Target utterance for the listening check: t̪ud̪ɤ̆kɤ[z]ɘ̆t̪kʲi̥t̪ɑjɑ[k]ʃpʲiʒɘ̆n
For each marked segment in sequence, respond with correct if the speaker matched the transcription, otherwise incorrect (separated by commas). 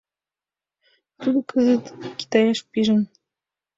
correct, incorrect